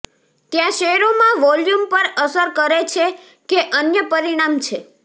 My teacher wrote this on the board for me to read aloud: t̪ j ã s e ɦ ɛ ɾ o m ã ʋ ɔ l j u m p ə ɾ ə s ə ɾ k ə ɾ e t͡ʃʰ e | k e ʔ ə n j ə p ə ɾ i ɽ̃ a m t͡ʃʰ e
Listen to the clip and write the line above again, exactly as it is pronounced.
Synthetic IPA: t̪ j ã ʃ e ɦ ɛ ɾ o m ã ʋ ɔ l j u m p ə ɾ ə s ə ɾ k ə ɾ e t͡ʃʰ e | k e ʔ ə n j ə p ə ɾ i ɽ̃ a m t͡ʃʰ e